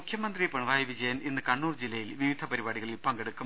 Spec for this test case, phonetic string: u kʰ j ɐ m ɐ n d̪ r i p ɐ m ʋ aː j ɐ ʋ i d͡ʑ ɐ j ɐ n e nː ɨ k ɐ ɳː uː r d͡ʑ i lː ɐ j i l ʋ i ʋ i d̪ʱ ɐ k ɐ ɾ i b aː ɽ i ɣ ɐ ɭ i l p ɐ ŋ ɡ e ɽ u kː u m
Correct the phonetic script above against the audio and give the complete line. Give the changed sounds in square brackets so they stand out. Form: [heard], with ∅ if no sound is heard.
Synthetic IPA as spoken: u kʰ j ɐ m ɐ n d̪ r i p ɐ [ɳ] ʋ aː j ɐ ʋ i d͡ʑ ɐ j ɐ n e nː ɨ k ɐ ɳː uː r d͡ʑ i lː ɐ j i l ʋ i ʋ i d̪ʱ ɐ [p] ɐ ɾ i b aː ɽ i ɣ ɐ ɭ i l p ɐ ŋ ɡ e ɽ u kː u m